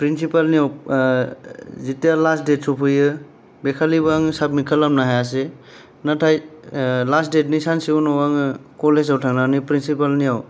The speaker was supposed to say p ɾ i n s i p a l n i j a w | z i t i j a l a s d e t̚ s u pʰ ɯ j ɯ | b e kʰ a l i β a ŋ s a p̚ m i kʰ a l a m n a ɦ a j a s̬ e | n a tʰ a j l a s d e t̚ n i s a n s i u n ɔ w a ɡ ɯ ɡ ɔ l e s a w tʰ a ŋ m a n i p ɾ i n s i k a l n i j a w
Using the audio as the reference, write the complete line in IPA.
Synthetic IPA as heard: p ɾ i n s i p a l n i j a w | z i t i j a l a s d e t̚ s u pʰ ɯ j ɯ | b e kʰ a l i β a ŋ s a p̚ m i kʰ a l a m n a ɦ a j a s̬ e | n a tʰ a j l a s d e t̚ n i s a n s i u n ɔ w a ŋ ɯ k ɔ l e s a w tʰ a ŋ n a n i p ɾ i n s i p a l n i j a w